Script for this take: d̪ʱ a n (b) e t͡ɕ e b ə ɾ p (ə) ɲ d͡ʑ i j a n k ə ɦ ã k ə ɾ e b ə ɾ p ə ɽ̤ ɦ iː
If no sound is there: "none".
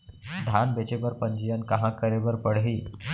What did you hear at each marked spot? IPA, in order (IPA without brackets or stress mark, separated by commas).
b, ə